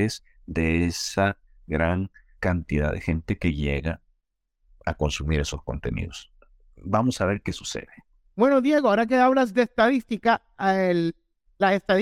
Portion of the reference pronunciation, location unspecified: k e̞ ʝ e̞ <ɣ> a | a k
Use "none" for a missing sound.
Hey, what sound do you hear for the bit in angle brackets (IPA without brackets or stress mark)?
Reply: ɣ